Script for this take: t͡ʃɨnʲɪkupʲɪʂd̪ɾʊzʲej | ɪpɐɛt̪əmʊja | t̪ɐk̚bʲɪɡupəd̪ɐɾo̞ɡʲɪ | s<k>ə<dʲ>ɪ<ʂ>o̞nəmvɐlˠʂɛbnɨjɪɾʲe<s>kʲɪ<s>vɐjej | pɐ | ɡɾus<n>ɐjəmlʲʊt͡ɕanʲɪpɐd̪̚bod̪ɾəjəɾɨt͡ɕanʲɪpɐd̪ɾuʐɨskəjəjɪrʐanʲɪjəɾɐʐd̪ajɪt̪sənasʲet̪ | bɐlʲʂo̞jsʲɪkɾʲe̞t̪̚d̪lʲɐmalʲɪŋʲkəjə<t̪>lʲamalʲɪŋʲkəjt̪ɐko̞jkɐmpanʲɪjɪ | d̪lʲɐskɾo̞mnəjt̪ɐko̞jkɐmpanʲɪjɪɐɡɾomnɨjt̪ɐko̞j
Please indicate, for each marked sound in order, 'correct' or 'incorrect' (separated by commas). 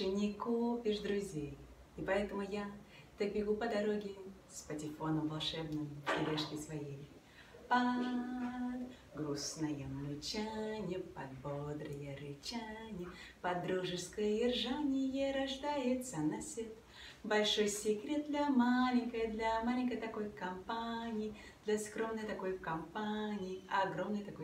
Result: incorrect, incorrect, incorrect, incorrect, correct, correct, incorrect